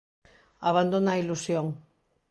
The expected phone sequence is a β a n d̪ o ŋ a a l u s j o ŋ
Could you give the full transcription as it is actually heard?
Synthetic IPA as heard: a β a n d̪ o n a i l u s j o ŋ